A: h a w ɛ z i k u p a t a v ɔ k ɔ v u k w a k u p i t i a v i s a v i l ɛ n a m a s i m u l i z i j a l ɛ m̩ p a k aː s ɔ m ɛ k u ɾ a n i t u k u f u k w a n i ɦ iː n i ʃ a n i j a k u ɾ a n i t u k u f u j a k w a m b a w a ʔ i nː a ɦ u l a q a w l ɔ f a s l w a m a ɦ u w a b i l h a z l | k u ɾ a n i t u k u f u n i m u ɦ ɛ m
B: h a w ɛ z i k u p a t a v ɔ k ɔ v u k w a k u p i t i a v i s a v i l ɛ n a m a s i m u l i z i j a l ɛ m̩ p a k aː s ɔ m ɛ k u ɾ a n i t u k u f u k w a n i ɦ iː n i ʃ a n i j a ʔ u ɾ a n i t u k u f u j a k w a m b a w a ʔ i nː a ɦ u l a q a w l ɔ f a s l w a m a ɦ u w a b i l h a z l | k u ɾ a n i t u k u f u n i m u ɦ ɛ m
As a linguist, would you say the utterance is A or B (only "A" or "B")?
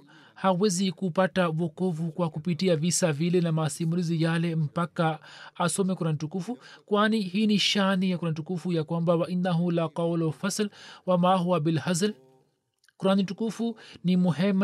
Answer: A